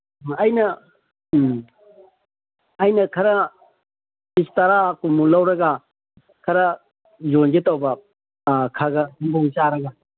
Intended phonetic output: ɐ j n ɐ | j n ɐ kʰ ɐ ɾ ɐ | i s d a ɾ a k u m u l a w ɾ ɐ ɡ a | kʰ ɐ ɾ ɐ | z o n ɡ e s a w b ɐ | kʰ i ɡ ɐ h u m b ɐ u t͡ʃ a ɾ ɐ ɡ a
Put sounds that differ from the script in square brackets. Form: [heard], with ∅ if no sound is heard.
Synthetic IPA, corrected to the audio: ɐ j n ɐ | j n ɐ kʰ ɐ ɾ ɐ | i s [t] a ɾ a k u m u l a w ɾ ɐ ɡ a | kʰ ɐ ɾ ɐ | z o n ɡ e [t] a w b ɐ | kʰ [a] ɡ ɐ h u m b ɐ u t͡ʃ a ɾ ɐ ɡ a